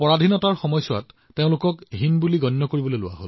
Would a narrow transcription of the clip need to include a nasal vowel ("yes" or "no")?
yes